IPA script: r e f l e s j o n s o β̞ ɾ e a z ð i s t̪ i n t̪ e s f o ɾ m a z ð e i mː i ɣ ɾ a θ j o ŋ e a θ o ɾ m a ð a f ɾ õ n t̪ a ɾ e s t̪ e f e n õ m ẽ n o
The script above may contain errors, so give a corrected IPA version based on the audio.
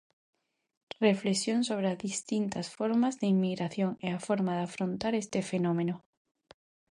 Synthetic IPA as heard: r e f l e s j o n s o β̞ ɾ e a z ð i s t̪ i n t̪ a s f o ɾ m a z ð e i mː i ɣ ɾ a θ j o ŋ e a f o ɾ m a ð a f ɾ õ n t̪ a ɾ e s t̪ e f e n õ m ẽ n o